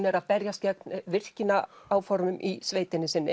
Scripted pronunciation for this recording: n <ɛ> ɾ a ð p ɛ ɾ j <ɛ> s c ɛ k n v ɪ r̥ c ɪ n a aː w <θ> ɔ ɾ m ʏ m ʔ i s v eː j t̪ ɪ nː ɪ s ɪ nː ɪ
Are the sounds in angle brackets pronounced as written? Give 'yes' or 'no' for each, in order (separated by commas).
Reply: yes, no, no